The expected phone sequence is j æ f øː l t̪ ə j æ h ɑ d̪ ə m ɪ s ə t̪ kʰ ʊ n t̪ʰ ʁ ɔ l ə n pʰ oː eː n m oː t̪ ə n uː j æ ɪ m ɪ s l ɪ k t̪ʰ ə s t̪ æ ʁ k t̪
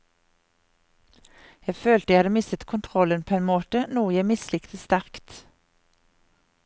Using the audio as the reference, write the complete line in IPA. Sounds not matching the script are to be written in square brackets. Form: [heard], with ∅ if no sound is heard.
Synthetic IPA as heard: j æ f øː l t̪ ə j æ h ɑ d̪ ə m ɪ s ə t̪ kʰ ʊ n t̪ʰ ʁ ɔ l ə n pʰ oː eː n m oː t̪ ə n uː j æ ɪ m ɪ s l ɪ k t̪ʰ ə s t̪ æ ʁ k t̪